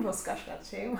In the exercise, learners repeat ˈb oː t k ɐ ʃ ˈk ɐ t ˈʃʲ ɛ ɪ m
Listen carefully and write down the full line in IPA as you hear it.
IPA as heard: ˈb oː s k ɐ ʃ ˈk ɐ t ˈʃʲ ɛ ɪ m